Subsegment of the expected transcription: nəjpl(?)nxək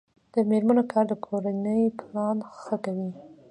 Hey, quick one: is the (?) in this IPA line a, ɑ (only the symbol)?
ɑ